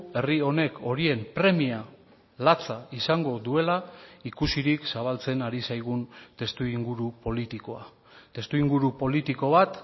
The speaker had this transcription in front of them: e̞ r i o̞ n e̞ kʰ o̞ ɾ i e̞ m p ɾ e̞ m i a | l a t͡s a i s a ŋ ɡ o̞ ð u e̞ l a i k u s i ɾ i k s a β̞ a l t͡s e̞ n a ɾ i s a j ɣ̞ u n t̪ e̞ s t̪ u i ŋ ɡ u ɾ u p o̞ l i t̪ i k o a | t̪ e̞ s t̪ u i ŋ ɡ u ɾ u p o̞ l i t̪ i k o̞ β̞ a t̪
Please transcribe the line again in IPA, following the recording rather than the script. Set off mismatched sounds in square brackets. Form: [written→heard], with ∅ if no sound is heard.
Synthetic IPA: e̞ r i o̞ n e̞ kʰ o̞ ɾ i e̞ m p ɾ e̞ m i a | l a t͡s a i s a ŋ ɡ o̞ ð u e̞ l a i k u s i ɾ i k s a β̞ a l t͡s e̞ n a ɾ i s a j ɣ̞ u n t̪ e̞ s t̪ u i ŋ ɡ u ɾ u p o̞ l i t̪ i k o a | t̪ e̞ s t̪ u i ŋ ɡ u ɾ u p o̞ l i t̪ i k o̞ β̞ a t̪